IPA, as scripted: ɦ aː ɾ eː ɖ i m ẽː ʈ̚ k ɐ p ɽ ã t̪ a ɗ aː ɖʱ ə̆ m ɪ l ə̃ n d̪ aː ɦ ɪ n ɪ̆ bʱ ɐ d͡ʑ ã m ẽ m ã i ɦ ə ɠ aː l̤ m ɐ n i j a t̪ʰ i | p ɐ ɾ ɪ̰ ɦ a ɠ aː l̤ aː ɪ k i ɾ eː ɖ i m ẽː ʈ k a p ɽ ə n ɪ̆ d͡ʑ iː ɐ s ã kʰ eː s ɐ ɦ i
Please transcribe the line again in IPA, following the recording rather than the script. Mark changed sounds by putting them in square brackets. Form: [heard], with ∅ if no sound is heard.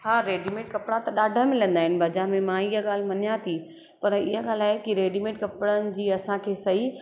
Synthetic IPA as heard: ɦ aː ɾ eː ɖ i m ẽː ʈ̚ k ɐ p ɽ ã t̪ [ɐ] ɗ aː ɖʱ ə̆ m ɪ l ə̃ n d̪ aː ɦ ɪ n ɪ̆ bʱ ɐ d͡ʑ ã m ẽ m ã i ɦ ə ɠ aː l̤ m ɐ n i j a t̪ʰ i | p ɐ ɾ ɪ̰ ɦ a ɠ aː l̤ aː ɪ k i ɾ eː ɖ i m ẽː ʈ k [ɐ] p ɽ ə n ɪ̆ d͡ʑ iː ɐ s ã kʰ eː s ɐ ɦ i

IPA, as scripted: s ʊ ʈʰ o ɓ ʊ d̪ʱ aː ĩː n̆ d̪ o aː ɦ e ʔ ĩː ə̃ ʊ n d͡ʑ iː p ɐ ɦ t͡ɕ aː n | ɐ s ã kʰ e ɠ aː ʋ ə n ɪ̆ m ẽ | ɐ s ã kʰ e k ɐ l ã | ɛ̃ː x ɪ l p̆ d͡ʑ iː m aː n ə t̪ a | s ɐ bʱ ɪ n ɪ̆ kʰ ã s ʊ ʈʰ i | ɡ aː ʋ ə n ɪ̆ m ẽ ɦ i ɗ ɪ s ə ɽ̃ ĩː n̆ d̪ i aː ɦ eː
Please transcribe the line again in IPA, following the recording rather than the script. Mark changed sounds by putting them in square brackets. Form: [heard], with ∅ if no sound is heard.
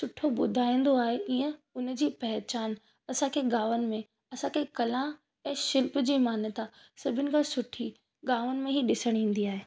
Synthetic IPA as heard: s ʊ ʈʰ o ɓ ʊ d̪ʱ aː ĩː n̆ d̪ o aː ɦ e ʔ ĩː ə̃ ʊ n d͡ʑ iː p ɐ ɦ t͡ɕ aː n | ɐ s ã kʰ e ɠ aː ʋ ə n ɪ̆ m ẽ | ɐ s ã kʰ e k ɐ l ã | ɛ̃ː [ʃ] ɪ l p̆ d͡ʑ iː m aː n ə t̪ a | s ɐ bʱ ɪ n ɪ̆ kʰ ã s ʊ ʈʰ i | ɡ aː ʋ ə n ɪ̆ m ẽ ɦ i ɗ ɪ s ə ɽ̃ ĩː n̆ d̪ i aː ɦ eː

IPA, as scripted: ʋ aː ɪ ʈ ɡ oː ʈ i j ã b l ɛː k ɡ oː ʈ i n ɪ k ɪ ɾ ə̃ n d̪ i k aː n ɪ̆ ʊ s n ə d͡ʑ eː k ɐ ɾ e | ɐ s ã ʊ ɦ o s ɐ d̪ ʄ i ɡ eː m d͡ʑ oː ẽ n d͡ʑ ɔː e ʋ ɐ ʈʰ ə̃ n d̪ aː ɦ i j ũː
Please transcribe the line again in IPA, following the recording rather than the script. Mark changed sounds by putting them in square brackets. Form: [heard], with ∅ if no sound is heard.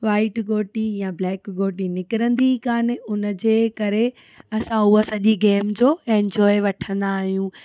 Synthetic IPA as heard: ʋ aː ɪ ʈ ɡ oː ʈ i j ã b l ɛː k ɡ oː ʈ i n ɪ k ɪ ɾ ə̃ n d̪ i k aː n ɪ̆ ʊ [∅] n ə d͡ʑ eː k ɐ ɾ e | ɐ s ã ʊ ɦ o s ɐ [∅] ʄ i ɡ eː m d͡ʑ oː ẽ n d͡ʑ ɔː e ʋ ɐ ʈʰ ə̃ n d̪ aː ɦ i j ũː

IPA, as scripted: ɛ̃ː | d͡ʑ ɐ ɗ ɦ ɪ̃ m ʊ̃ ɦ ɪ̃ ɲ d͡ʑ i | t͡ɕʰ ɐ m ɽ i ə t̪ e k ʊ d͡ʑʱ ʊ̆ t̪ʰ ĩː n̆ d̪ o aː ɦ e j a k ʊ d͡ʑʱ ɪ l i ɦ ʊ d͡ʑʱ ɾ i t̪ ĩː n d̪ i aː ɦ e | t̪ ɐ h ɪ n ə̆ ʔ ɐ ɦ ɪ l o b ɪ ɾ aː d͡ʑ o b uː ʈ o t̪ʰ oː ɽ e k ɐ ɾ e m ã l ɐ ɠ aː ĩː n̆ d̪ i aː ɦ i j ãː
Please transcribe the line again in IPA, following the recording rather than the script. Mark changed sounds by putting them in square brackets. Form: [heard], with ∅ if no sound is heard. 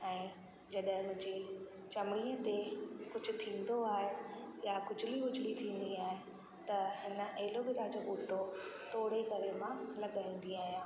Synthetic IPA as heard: ɛ̃ː | d͡ʑ ɐ ɗ ɦ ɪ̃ m ʊ̃ ɦ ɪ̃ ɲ d͡ʑ i | [t͡ɕ] ɐ m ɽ i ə t̪ e k ʊ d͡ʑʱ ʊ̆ t̪ʰ ĩː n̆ d̪ o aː ɦ e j a k ʊ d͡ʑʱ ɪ l i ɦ ʊ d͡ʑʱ [l] i [t̪ʰ] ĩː n d̪ i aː ɦ e | t̪ ɐ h ɪ n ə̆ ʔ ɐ ɦ ɪ l o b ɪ ɾ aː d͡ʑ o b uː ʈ o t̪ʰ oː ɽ e k ɐ ɾ e m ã l ɐ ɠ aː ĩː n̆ d̪ i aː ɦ i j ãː

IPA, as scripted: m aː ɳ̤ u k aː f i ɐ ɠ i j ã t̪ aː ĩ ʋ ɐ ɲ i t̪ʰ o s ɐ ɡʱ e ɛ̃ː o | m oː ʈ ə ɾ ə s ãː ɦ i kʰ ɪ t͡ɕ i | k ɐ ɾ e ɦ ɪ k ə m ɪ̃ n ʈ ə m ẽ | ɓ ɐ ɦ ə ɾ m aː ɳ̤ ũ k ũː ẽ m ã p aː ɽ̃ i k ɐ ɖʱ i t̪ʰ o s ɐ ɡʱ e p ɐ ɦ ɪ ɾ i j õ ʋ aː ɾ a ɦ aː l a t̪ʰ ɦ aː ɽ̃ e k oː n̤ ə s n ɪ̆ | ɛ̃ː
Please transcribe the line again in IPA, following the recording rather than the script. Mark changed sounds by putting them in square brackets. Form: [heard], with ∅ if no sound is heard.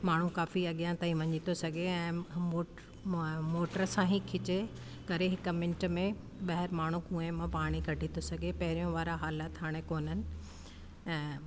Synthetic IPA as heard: m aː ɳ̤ u k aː f i ɐ ɠ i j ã t̪ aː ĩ ʋ ɐ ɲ i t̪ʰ o s ɐ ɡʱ e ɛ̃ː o | m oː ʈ ə ɾ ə s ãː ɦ i kʰ ɪ t͡ɕ [e] | k ɐ ɾ e ɦ ɪ k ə m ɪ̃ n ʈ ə m ẽ | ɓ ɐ ɦ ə ɾ m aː ɳ̤ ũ k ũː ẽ m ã p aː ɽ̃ i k ɐ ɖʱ i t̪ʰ o s ɐ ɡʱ e p ɐ ɦ ɪ ɾ i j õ ʋ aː ɾ a ɦ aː l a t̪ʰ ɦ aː ɽ̃ e k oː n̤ ə [∅] n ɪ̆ | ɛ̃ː

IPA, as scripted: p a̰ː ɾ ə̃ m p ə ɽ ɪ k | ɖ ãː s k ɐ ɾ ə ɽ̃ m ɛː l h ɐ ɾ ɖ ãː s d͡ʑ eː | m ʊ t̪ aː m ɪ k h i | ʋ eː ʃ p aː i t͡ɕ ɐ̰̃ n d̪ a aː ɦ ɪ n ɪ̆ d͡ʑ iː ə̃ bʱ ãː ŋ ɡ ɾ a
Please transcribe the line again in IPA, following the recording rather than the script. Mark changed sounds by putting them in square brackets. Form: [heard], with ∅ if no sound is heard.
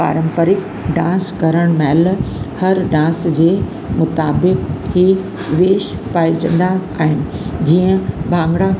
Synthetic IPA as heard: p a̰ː ɾ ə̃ m p ə [ɾ] ɪ k | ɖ ãː s k ɐ ɾ ə ɽ̃ m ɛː l h ɐ ɾ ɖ ãː s d͡ʑ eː | m ʊ t̪ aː [b] ɪ k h i | ʋ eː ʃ p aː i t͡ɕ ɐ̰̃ n d̪ a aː ɦ ɪ n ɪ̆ d͡ʑ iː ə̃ bʱ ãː ŋ ɡ [ɽ] a

